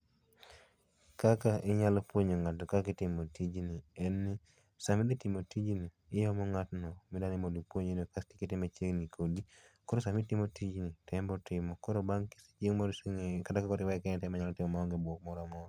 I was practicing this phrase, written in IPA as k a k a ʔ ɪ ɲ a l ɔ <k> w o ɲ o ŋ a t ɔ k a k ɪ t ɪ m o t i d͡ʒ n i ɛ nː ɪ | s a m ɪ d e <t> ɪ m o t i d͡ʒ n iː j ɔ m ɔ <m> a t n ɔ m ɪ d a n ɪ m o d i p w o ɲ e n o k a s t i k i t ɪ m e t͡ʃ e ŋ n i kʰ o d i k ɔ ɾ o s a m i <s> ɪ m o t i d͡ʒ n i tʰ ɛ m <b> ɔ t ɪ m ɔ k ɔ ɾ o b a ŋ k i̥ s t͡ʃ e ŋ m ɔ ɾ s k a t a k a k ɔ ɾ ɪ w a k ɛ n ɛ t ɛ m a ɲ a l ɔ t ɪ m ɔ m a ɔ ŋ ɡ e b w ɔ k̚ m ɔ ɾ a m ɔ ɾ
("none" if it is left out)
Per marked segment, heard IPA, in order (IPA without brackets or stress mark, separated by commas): p, t, ŋ, t, b